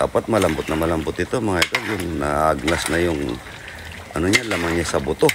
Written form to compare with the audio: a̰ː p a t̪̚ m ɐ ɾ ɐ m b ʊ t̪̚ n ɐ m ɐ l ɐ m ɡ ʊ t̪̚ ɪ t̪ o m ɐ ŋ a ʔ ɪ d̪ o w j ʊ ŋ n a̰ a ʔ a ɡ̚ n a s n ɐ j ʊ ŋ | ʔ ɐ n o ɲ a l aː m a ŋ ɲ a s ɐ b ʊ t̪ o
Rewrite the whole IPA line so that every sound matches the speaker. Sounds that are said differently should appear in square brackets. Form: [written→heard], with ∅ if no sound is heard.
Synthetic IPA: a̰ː p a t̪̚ m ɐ [ɾ→l] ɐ m b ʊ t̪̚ n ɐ m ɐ l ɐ m [ɡ→b] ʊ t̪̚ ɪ t̪ o m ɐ ŋ a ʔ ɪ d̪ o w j ʊ ŋ n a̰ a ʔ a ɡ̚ n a s n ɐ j ʊ ŋ | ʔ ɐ n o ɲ a l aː m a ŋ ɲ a s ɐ b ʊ t̪ o